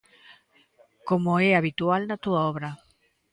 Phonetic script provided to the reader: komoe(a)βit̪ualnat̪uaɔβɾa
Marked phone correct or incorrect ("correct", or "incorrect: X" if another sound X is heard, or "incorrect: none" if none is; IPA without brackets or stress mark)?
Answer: correct